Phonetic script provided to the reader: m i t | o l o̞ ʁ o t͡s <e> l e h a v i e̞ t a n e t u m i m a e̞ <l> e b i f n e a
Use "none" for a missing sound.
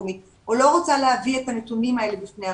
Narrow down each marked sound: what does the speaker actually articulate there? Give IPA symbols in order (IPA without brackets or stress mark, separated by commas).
a, l